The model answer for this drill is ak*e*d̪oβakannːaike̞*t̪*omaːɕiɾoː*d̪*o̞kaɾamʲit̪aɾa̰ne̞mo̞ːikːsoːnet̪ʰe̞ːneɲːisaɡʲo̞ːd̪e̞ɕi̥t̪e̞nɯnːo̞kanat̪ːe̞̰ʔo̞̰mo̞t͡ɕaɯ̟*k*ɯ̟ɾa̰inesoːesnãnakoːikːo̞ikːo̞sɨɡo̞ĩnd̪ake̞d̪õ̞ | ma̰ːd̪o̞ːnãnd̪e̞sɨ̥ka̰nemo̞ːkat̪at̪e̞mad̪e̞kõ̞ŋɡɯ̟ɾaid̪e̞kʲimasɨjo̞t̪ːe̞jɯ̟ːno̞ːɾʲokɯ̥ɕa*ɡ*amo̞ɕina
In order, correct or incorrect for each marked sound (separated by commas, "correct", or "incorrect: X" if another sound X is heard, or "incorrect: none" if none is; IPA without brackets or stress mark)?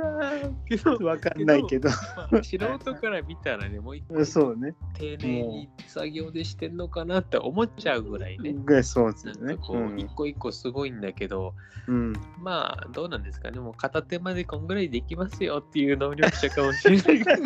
correct, incorrect: d̪, incorrect: t̪, incorrect: ɡ, incorrect: k